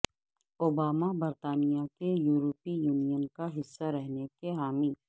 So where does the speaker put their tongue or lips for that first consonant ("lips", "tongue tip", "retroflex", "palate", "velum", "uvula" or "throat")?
lips